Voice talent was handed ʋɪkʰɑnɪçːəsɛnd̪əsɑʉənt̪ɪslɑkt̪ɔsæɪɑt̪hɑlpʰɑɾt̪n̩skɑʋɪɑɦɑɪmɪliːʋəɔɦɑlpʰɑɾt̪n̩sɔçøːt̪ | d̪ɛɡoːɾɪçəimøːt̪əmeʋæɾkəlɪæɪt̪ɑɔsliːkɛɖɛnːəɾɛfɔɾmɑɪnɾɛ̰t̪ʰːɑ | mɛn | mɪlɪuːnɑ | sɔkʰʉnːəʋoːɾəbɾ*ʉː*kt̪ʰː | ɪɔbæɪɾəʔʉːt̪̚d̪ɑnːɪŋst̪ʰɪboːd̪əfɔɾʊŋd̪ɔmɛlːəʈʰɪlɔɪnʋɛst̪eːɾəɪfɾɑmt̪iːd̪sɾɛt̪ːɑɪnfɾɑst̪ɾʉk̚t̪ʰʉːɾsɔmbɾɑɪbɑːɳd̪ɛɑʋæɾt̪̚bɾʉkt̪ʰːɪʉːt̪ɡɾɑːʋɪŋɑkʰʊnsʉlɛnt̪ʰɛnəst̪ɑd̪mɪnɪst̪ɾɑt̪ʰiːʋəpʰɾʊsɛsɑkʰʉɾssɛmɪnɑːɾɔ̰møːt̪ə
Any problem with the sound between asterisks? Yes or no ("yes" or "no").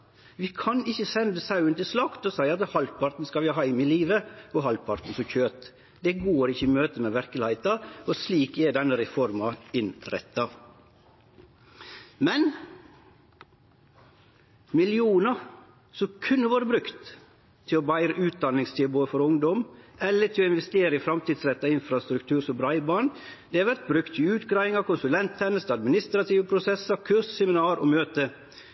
yes